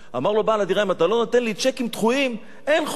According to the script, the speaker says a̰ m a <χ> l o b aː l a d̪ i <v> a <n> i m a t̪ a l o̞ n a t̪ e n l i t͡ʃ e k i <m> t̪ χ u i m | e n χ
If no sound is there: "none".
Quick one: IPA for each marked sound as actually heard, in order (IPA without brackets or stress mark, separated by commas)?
ʁ, ʁ, none, m